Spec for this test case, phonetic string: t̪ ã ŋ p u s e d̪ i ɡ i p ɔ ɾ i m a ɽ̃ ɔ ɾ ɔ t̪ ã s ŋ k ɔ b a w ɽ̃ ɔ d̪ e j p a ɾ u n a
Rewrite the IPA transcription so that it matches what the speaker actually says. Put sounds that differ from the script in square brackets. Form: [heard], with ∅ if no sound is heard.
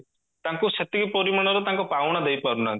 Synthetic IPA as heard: t̪ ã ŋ [k] u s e [t̪] i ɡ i p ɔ ɾ i m a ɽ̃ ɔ ɾ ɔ t̪ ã [∅] ŋ k ɔ [p] a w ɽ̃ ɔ d̪ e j p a ɾ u n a